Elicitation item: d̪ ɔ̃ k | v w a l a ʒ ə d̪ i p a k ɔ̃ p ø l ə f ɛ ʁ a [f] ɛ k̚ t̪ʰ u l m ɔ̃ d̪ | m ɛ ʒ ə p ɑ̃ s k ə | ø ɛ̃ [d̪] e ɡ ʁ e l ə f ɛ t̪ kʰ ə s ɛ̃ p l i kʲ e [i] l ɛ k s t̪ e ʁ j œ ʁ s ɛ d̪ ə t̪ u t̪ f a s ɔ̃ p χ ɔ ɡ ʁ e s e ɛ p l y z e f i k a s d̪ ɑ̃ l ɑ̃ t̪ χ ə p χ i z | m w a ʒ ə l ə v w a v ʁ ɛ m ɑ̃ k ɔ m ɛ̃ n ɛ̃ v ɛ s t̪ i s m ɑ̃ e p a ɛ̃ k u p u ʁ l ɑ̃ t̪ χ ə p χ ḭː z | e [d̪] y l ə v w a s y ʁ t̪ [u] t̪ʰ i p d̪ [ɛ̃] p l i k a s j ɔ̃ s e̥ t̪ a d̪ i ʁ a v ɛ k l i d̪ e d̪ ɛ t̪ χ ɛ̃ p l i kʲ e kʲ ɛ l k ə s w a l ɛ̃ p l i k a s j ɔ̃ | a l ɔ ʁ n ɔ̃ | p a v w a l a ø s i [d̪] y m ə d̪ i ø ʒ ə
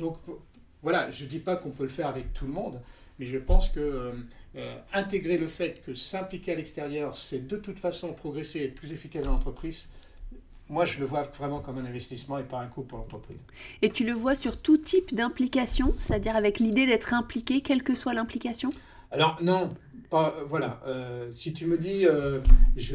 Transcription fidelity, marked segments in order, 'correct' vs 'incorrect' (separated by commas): incorrect, incorrect, incorrect, incorrect, correct, correct, incorrect